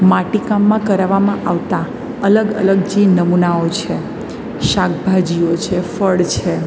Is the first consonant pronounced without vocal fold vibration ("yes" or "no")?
no